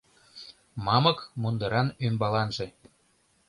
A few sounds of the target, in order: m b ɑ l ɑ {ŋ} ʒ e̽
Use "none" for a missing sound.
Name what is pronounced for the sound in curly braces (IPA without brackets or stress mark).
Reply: n